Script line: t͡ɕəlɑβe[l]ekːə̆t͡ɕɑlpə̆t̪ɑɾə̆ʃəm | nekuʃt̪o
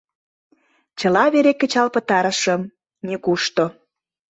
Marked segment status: incorrect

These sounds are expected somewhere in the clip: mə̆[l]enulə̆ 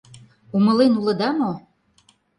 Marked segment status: correct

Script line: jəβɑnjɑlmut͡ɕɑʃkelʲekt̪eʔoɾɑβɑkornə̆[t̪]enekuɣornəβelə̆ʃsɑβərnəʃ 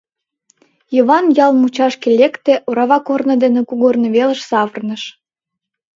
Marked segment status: incorrect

